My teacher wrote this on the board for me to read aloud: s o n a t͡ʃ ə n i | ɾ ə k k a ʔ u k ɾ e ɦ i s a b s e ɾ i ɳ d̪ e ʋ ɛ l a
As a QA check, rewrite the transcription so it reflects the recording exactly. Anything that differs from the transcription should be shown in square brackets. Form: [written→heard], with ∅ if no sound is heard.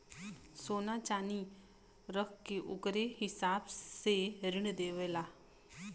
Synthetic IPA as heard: s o n a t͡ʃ [ə→a] n i | ɾ ə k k [a→e] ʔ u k ɾ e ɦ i s a b s e ɾ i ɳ d̪ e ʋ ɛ l a